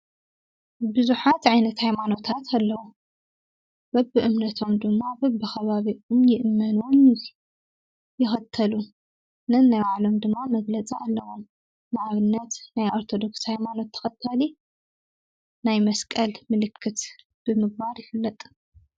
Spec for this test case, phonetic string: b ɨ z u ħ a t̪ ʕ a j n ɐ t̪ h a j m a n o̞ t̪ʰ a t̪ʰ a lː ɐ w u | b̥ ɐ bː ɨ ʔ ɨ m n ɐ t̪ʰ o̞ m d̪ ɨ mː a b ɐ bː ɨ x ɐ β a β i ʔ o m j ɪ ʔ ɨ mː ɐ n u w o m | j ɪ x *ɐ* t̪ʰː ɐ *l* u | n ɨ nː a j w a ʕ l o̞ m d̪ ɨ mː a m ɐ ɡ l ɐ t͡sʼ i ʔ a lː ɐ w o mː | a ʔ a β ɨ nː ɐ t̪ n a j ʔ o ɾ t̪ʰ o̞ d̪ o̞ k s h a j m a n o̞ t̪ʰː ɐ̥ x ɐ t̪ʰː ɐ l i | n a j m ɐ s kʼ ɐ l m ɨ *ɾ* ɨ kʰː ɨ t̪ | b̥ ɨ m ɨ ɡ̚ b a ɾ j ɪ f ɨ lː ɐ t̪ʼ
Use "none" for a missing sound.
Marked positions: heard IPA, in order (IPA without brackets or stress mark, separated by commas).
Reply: ɐ, l, l